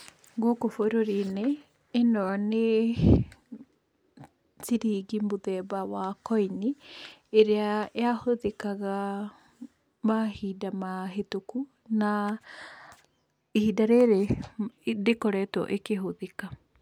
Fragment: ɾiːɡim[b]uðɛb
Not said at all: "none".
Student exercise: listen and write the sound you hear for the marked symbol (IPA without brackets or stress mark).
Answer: b